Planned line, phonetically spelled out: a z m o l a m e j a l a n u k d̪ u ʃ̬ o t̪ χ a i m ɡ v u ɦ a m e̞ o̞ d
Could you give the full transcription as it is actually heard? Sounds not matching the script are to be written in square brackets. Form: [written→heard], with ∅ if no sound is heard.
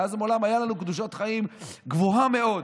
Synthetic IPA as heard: a z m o l a m [e→a] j a l a n u k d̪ u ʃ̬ o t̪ χ a i m ɡ v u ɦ a m e̞ o̞ d